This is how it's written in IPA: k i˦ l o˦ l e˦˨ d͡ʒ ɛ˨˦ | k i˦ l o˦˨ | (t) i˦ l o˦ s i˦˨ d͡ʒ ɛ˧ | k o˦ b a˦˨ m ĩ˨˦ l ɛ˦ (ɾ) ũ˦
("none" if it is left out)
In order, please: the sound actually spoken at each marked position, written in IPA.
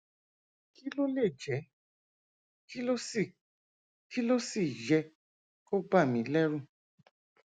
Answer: k, ɾ

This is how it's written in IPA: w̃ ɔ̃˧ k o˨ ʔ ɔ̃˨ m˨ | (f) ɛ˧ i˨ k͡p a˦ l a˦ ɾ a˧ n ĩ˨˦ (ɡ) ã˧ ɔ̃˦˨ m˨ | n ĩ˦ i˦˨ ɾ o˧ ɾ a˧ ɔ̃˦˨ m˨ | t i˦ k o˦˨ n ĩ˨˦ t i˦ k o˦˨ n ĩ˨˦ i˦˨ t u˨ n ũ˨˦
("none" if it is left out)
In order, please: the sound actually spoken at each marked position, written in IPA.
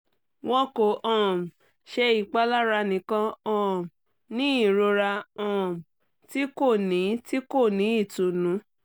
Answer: ʃ, k

